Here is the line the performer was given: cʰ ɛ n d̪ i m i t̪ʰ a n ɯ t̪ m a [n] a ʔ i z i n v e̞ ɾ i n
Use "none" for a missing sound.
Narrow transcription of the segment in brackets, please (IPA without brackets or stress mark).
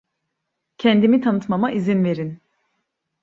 m